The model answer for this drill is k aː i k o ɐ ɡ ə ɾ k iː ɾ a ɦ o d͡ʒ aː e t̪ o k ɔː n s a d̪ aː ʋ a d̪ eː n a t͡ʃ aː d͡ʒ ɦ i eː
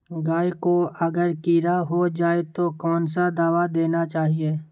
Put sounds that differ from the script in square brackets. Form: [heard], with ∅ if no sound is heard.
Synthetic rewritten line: [ɡ] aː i k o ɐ ɡ ə ɾ k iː ɾ a ɦ o d͡ʒ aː e t̪ o k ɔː n s a d̪ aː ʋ a d̪ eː n a t͡ʃ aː [∅] ɦ i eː